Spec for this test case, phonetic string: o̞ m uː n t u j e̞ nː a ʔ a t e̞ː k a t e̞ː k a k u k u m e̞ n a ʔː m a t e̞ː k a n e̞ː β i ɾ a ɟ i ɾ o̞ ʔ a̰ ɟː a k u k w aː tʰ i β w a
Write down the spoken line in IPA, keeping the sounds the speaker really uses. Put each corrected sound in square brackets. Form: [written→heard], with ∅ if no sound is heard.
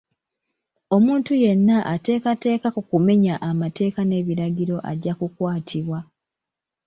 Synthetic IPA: o̞ m uː n t u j e̞ nː a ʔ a t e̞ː k a t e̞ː k a k u k u m e̞ [n→ɲ] a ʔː m a t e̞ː k a n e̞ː β i ɾ a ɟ i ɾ o̞ ʔ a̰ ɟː a k u k w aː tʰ i β w a